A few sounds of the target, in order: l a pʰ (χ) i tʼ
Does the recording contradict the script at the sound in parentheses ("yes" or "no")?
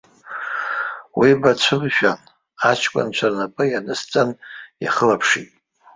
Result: yes